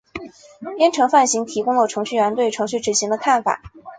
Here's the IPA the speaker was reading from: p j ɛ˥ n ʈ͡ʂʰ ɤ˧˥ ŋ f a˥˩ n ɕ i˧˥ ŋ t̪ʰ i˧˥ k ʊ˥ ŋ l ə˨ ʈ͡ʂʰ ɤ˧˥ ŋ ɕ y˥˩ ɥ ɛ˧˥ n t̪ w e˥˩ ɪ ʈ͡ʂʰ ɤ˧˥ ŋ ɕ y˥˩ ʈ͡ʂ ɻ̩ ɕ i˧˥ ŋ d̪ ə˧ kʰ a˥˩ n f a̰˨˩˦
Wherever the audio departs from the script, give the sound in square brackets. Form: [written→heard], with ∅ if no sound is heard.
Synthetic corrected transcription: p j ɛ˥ n ʈ͡ʂʰ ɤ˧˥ ŋ f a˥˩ n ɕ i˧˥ ŋ t̪ʰ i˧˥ k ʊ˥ ŋ l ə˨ ʈ͡ʂʰ ɤ˧˥ ŋ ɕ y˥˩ ɥ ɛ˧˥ n t̪ w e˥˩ ɪ ʈ͡ʂʰ ɤ˧˥ ŋ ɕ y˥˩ ʈ͡ʂ ɻ̩ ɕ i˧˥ ŋ d̪ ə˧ kʰ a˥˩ n f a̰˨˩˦